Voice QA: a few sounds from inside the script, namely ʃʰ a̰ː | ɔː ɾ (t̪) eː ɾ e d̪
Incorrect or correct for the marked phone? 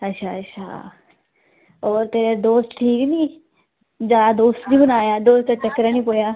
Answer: correct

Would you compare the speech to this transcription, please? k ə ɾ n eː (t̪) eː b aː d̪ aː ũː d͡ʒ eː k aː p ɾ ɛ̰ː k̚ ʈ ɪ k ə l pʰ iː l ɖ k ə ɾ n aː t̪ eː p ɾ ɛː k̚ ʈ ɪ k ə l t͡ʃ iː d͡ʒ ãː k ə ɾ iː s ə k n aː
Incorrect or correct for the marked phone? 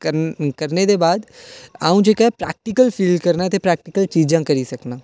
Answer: incorrect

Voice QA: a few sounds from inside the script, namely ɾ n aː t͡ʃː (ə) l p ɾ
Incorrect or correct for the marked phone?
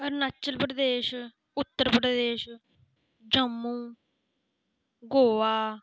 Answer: correct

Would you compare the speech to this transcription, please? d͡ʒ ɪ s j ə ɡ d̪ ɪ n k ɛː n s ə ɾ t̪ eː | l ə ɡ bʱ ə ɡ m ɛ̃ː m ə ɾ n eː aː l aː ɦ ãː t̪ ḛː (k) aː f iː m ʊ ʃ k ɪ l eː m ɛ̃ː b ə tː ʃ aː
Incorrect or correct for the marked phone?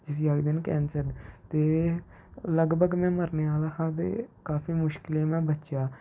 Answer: correct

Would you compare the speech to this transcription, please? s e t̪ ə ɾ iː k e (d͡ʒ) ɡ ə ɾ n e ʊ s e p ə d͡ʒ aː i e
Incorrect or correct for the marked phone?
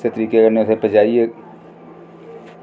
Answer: incorrect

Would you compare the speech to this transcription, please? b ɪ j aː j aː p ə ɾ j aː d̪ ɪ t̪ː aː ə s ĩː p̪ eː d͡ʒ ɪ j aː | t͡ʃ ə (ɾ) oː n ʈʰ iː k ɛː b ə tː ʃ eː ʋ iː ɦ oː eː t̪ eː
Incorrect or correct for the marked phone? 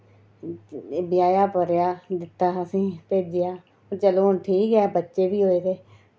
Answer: incorrect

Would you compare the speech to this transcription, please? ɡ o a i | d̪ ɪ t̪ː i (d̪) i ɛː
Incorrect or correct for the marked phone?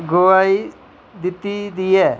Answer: correct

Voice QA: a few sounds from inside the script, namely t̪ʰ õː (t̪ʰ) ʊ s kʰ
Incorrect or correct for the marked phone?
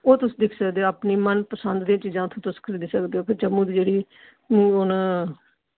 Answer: incorrect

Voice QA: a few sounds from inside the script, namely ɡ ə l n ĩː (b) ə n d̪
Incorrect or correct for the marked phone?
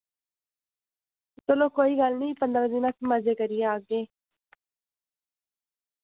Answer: incorrect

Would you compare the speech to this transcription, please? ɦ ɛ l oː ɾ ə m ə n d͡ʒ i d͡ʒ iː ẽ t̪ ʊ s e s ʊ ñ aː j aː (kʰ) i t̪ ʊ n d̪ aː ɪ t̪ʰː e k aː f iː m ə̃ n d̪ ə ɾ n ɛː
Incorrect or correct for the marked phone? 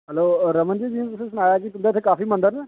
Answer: incorrect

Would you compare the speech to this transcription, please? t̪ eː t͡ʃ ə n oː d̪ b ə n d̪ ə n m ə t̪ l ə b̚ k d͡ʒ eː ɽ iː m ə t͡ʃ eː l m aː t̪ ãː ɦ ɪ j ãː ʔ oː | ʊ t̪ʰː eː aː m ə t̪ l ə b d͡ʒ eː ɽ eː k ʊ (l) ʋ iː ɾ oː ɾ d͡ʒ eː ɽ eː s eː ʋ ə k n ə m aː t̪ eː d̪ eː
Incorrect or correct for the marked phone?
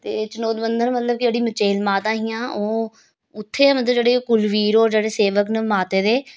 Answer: correct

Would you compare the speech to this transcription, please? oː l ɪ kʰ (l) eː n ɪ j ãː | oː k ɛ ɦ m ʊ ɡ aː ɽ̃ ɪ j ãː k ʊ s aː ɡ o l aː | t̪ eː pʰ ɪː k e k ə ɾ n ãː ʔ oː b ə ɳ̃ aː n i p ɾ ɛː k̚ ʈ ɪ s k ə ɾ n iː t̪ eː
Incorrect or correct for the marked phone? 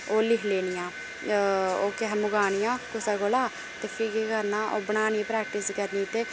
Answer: correct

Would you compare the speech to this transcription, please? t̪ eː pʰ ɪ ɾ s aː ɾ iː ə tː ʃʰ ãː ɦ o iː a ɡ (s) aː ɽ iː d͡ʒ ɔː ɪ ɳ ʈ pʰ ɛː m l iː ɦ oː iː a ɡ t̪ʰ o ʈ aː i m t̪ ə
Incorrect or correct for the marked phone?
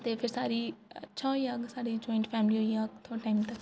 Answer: correct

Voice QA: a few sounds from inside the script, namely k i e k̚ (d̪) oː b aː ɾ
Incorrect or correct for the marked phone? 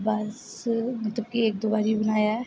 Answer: correct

